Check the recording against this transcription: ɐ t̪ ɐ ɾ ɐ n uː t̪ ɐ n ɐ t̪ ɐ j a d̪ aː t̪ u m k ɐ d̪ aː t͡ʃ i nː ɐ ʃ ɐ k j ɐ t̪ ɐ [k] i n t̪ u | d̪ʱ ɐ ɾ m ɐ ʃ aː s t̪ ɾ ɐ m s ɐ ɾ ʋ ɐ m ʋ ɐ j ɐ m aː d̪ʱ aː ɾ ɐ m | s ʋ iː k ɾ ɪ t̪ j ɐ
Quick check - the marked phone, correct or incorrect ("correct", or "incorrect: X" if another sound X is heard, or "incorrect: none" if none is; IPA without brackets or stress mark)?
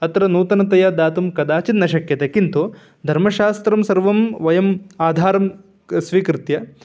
correct